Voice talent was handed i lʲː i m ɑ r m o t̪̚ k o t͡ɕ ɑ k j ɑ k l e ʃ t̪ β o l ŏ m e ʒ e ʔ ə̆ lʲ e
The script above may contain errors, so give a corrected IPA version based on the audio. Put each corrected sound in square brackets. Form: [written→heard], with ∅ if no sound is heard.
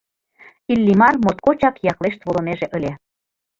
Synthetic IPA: i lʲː i m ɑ r m o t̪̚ k o t͡ɕ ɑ k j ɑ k l e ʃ t̪ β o l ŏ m e ʒ e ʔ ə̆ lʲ e